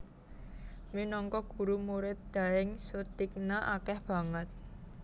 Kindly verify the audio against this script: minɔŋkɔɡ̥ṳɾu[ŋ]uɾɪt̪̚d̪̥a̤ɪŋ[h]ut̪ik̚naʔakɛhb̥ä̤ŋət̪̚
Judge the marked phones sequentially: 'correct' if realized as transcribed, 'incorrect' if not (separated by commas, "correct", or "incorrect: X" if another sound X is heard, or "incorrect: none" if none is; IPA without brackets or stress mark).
incorrect: m, incorrect: s